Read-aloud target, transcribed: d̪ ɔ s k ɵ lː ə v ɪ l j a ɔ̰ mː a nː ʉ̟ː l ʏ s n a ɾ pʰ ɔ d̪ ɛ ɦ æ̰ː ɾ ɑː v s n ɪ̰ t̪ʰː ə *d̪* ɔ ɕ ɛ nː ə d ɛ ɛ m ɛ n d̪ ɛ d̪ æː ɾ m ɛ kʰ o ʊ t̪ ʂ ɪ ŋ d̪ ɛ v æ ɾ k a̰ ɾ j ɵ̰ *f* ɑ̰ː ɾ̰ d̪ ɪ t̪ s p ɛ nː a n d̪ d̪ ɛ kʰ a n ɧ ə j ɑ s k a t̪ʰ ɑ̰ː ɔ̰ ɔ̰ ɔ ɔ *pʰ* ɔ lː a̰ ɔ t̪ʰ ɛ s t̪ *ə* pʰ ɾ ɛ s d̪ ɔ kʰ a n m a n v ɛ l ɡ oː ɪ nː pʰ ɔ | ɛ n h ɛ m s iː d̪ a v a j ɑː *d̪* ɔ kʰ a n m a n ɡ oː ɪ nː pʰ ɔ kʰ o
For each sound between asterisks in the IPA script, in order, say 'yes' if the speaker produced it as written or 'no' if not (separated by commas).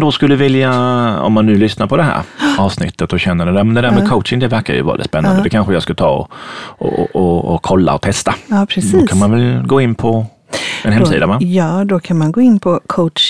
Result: no, no, no, no, yes